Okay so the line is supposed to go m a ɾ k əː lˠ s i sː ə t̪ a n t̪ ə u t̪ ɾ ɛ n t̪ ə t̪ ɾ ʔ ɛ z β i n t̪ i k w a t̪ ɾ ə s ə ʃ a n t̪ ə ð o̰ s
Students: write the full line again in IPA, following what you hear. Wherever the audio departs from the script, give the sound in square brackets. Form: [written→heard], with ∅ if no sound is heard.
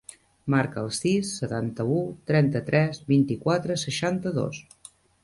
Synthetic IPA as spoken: m a ɾ k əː lˠ s i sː ə t̪ a n t̪ ə u t̪ ɾ ɛ n t̪ ə t̪ ɾ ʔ ɛ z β i n t̪ i k w a t̪ ɾ ə s ə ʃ a n t̪ ə ð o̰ s